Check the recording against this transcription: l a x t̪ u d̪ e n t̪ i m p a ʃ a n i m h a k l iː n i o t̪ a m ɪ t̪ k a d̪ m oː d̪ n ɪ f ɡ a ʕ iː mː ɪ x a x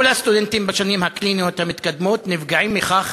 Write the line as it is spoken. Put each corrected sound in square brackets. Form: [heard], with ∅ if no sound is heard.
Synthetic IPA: l a [s] t̪ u d̪ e n t̪ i m [b] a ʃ a n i m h a k l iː n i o t̪ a m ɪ t̪ k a d̪ m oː [t̪] n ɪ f ɡ a ʕ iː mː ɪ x a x